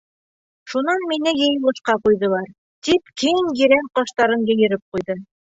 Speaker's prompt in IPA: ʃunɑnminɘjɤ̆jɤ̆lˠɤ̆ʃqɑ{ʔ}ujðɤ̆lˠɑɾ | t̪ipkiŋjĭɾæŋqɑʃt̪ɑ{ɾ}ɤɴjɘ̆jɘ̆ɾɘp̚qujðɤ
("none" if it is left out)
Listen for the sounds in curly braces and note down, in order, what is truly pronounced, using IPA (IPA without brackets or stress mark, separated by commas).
q, ɾ